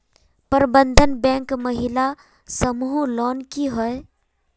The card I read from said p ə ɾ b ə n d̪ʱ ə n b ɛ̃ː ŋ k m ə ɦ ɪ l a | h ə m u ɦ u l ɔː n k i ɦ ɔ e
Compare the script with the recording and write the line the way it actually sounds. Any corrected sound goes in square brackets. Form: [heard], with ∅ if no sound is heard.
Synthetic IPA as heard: p ə ɾ b ə n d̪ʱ ə n b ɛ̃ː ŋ k m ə ɦ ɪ l a | [s] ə m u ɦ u l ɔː n k i ɦ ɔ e